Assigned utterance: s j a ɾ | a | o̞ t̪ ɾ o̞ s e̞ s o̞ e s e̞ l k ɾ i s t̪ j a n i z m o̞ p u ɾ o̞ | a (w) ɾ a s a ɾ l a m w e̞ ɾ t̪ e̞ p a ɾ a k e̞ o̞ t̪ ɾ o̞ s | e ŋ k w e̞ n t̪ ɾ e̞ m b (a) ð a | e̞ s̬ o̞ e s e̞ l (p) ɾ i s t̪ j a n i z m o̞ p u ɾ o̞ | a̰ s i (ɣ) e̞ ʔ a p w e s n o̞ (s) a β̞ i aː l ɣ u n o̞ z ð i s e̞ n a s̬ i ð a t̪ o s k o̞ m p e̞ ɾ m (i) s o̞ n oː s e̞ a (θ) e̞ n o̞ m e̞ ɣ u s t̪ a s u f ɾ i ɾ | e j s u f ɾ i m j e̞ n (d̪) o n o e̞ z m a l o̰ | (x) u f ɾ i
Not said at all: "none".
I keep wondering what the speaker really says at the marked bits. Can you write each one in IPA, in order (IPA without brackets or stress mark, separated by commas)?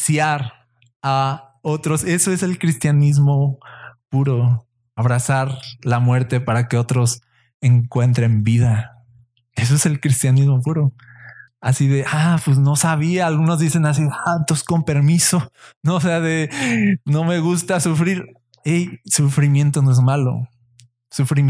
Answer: β, i, k, ð, s, i, ð, t̪, s